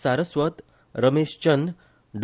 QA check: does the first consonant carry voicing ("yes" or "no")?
no